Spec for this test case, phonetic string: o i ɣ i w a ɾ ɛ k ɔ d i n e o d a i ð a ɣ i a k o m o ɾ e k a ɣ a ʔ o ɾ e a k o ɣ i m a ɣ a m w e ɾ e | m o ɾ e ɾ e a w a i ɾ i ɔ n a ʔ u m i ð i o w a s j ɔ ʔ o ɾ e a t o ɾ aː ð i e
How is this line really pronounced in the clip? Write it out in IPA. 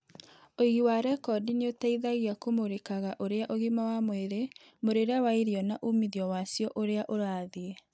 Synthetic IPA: o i ɣ i w a ɾ ɛ k ɔ d i n e o t a i ð a ɣ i a k o m o ɾ e k a ɣ a ʔ o ɾ e a ʔ o ɣ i m a w a m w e ɾ e | m o ɾ e ɾ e a w a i ɾ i ɔ n a ʔ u m i ð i ɔ w a s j ɔ ʔ o ɾ e a ʔ o ɾ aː ð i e